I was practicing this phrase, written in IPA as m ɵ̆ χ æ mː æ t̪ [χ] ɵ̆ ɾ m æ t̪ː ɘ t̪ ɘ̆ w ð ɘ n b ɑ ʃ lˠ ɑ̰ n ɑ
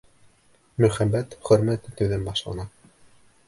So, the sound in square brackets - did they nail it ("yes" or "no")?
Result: yes